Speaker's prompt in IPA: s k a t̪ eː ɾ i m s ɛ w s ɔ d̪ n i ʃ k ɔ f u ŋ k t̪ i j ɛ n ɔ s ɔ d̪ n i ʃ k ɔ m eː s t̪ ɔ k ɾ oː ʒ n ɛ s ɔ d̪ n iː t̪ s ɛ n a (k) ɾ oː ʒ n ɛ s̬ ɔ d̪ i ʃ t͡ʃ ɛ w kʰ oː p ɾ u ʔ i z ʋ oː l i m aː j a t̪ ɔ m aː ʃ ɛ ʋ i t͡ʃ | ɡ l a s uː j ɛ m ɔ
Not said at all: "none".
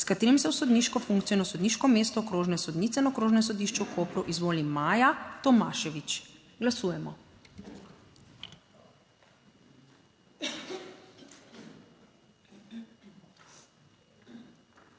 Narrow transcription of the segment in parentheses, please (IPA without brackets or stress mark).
k